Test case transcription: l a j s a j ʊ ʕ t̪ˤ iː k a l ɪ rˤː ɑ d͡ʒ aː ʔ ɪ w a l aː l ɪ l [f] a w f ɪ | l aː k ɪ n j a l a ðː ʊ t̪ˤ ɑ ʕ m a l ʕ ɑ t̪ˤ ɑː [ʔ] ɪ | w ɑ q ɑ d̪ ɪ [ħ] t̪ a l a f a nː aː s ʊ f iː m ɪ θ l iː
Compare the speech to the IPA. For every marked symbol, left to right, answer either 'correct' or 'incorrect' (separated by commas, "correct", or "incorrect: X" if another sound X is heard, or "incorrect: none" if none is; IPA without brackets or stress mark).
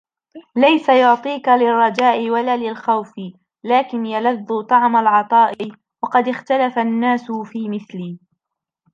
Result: incorrect: x, correct, incorrect: x